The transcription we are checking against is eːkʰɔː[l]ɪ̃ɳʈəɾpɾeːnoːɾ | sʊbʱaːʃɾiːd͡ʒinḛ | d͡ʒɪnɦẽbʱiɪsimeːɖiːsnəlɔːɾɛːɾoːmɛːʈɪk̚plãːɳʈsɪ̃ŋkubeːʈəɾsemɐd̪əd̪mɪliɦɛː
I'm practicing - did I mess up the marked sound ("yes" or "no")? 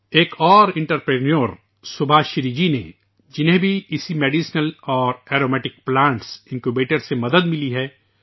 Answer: yes